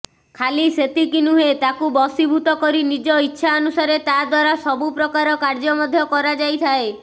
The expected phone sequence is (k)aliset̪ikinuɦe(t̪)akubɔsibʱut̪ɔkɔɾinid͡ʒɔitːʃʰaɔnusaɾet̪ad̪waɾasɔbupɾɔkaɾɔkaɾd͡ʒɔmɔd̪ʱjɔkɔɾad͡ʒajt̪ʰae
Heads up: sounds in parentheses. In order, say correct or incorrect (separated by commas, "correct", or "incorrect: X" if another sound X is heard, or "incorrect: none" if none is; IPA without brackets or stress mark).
incorrect: kʰ, correct